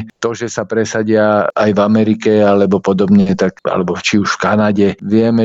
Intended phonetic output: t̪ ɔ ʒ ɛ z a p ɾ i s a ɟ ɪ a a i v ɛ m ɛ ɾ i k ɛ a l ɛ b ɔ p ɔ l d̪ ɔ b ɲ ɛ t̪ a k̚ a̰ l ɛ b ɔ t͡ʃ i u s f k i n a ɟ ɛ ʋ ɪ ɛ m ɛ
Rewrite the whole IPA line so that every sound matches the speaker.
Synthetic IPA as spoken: t̪ ɔ ʒ ɛ s a p ɾ ɛ s a ɟ ɪ a a j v a m ɛ ɾ i k ɛ a l ɛ b ɔ p ɔ d̪ ɔ b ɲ ɛ t̪ a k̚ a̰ l ɛ b ɔ t͡ʃ i u ʃ f k a n a ɟ ɛ ʋ ɪ ɛ m ɛ